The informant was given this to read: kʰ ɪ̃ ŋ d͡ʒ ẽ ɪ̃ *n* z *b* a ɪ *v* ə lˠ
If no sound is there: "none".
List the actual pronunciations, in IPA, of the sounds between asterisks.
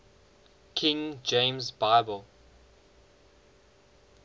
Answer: m, b, b

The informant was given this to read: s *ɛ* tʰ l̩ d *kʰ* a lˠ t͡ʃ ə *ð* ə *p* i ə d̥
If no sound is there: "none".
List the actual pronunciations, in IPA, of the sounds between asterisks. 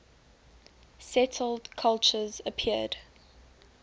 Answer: ɛ, kʰ, z, pʰ

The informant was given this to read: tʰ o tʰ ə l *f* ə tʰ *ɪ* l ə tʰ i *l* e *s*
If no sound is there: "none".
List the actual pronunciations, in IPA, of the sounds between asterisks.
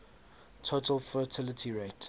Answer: f, ɪ, ɹ, t

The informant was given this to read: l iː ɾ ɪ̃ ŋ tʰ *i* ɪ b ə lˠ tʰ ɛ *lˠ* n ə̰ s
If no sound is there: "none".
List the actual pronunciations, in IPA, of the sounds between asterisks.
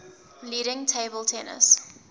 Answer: e, none

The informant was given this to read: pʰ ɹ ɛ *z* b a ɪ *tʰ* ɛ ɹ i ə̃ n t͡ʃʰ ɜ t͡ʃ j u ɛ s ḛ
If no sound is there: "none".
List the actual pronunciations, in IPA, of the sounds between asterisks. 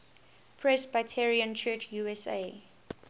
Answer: s, tʰ

